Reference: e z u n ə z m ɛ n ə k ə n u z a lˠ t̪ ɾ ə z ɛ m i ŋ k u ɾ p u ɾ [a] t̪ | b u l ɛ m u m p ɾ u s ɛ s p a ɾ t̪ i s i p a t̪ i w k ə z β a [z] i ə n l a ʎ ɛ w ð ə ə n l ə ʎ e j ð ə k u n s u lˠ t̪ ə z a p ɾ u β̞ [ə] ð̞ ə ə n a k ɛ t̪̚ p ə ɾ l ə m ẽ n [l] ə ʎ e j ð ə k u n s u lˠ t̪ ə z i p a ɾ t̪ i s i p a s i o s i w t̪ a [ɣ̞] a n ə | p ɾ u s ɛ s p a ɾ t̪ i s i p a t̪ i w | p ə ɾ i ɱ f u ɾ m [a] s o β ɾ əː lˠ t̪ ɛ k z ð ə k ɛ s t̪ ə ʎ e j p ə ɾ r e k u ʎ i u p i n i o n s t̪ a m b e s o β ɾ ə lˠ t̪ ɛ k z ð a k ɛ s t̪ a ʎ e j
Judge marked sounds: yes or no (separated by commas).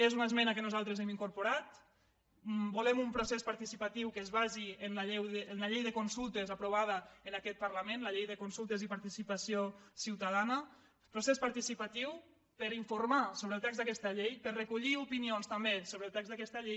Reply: yes, yes, no, yes, no, yes